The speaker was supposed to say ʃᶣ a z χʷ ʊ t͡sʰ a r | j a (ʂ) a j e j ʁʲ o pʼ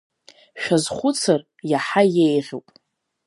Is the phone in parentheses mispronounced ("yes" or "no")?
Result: yes